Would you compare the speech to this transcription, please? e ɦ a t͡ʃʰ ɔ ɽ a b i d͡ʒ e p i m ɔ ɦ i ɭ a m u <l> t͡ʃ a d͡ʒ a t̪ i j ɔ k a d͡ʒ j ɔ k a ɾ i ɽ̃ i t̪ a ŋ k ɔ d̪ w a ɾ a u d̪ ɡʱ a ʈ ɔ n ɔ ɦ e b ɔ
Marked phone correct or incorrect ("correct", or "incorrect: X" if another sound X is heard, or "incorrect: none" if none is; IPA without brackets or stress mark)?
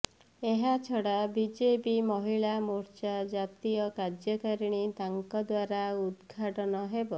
incorrect: ɾ